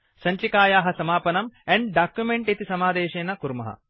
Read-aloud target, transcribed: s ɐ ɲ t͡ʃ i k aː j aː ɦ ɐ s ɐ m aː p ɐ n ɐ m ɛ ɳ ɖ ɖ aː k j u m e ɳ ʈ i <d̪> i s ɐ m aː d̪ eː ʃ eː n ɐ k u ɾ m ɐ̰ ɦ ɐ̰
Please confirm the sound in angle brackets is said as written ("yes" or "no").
no